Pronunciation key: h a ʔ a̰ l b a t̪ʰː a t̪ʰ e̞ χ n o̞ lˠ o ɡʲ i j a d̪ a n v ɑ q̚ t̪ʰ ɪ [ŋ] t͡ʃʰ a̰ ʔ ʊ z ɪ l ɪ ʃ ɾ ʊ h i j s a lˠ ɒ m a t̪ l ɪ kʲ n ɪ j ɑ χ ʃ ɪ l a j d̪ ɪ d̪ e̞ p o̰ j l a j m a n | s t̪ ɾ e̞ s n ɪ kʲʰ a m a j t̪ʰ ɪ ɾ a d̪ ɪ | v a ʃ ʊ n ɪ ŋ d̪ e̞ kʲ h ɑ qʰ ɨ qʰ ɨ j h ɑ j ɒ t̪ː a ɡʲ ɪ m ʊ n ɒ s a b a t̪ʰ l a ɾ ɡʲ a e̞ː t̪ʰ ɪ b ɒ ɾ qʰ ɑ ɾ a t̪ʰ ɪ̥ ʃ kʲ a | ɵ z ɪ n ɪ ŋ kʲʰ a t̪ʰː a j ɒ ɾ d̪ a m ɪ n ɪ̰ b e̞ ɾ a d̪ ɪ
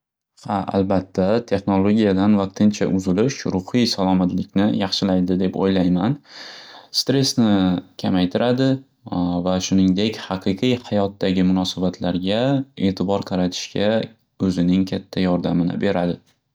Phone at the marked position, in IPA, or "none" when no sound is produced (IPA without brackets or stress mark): n